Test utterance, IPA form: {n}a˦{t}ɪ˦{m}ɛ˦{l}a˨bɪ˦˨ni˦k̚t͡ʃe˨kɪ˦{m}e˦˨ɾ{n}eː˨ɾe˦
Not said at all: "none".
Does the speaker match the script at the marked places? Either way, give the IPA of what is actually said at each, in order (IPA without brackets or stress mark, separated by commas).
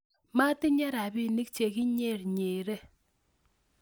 m, t, ɲ, ɾ, ɲ, ɲ